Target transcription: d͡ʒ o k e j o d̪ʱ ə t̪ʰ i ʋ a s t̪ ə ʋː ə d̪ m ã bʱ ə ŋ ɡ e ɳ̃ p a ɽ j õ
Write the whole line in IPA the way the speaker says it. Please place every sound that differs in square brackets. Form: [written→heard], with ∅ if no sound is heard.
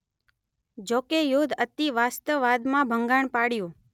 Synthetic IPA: d͡ʒ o k e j o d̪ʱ ə [t̪ʰ→t̪] i ʋ a s t̪ ə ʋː [ə→a] d̪ m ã bʱ ə ŋ ɡ [e→a] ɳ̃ p a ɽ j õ